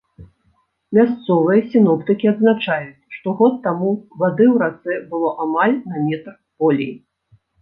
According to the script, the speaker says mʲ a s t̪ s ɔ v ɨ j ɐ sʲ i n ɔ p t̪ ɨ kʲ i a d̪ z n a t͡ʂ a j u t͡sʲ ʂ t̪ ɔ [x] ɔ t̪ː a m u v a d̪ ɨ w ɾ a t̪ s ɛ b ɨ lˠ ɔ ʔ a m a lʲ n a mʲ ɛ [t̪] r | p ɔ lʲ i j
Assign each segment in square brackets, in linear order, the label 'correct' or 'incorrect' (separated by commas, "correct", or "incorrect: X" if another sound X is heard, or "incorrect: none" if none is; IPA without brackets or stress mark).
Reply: incorrect: ɣ, correct